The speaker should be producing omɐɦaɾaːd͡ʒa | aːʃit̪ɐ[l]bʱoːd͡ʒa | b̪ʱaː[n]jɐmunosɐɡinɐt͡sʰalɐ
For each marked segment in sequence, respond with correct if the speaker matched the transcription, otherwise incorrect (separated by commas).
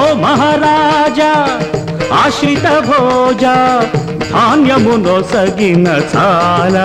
incorrect, correct